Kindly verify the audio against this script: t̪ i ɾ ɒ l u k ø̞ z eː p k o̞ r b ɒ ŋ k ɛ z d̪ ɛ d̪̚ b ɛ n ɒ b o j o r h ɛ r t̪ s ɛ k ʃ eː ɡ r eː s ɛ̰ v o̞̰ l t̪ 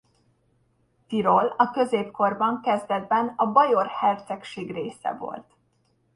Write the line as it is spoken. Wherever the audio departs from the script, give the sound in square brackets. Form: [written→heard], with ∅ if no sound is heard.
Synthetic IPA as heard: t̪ i ɾ [ɒ→o] l [u→ɒ] k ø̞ z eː p k o̞ r b ɒ ŋ k ɛ z d̪ ɛ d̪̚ b ɛ n ɒ b [o→ɒ] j o r h ɛ r t̪ s ɛ k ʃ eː ɡ r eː s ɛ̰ v o̞̰ l t̪